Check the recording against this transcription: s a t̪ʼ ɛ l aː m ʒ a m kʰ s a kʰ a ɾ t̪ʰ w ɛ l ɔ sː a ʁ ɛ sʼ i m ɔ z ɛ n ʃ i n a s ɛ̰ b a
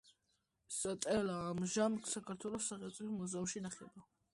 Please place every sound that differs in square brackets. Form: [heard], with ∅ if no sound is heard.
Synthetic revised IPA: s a t̪ʼ ɛ l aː m ʒ a m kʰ s a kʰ a ɾ t̪ʰ w ɛ l ɔ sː a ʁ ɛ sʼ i m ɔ z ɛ [m] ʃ i n a [χ] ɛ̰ b a